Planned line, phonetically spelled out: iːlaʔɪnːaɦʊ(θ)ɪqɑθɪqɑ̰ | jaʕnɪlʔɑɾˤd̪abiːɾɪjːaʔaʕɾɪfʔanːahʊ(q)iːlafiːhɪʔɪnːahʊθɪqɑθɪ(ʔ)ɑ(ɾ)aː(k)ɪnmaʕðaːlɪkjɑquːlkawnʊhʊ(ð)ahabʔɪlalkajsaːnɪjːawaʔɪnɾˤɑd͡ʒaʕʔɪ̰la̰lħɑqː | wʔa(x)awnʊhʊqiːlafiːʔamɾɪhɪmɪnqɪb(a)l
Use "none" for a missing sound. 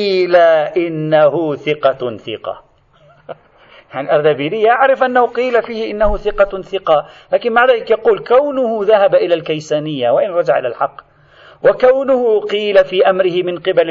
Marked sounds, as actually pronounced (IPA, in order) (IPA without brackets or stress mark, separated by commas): θ, q, q, l, k, ð, k, a